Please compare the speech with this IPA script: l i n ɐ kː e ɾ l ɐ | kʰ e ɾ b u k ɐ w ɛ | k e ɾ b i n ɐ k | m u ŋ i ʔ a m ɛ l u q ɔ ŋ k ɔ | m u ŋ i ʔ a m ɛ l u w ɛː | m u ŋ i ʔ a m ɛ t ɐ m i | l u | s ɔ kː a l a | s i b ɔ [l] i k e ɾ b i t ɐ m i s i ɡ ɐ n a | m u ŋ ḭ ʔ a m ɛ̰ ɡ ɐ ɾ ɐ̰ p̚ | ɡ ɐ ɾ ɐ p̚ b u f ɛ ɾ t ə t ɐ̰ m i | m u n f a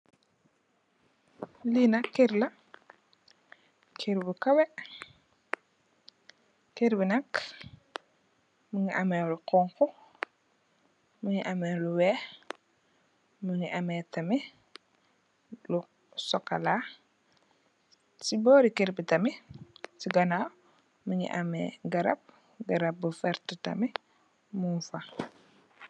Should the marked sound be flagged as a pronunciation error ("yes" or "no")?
yes